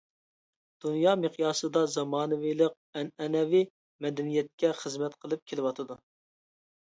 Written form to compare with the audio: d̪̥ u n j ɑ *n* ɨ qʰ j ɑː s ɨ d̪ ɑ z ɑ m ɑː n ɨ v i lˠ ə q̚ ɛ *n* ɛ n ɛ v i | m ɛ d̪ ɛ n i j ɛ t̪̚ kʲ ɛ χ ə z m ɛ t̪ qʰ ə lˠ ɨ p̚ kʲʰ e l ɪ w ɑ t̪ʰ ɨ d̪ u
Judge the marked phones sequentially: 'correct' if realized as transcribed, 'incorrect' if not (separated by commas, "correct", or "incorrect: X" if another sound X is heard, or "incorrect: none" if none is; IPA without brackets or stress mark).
incorrect: m, correct